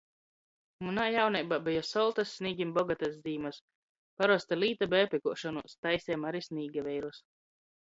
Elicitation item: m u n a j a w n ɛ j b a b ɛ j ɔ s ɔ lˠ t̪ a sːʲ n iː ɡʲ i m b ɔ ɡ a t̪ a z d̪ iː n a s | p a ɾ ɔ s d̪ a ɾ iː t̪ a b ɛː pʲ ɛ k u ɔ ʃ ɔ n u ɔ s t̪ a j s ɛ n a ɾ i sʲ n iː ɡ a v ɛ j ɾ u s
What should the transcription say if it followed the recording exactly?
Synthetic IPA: m u n a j a w n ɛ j b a b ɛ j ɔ s ɔ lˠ t̪ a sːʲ n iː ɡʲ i m b ɔ ɡ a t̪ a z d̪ iː m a s | p a ɾ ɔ s t̪ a l iː t̪ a b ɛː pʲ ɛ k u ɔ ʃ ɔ n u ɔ s t̪ a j s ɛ m a ɾ i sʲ n iː ɡ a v ɛ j ɾ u s